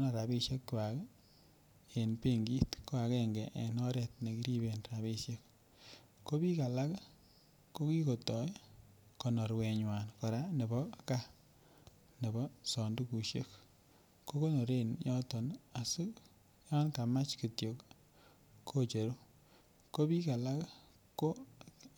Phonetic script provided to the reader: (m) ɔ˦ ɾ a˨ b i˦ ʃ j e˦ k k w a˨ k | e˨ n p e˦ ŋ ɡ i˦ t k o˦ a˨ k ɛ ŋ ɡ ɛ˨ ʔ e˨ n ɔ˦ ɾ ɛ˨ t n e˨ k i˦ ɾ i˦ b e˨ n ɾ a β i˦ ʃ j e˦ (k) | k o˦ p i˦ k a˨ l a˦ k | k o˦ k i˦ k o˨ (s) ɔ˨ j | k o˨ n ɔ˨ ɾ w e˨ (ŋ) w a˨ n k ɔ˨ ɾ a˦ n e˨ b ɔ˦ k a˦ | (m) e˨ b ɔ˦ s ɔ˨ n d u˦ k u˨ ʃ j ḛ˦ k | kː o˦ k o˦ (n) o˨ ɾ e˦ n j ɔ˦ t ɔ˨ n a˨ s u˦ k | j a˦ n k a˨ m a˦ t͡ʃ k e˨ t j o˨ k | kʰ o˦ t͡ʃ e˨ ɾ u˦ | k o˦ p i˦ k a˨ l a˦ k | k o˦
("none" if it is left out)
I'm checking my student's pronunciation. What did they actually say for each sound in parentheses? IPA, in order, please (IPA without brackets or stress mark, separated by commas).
n, k, t, ɲ, n, n